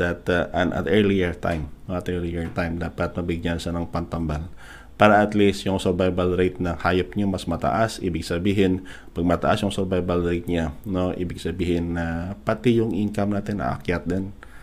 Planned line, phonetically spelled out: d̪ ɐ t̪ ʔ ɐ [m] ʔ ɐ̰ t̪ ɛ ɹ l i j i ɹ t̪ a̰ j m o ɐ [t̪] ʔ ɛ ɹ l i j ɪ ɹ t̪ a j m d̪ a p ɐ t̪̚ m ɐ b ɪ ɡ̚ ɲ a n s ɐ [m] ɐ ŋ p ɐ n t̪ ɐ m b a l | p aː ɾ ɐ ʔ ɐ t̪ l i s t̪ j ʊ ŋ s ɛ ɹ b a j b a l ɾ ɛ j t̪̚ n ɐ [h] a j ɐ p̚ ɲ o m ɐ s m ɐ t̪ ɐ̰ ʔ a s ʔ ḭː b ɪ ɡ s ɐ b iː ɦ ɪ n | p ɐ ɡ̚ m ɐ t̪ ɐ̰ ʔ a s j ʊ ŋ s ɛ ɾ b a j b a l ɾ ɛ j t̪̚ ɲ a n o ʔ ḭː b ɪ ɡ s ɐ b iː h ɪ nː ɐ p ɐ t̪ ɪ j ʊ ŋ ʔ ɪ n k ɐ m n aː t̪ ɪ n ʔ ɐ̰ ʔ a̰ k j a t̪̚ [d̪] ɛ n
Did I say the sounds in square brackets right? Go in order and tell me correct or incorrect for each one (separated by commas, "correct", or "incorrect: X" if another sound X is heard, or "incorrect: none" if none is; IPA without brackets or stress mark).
incorrect: n, correct, incorrect: n, correct, correct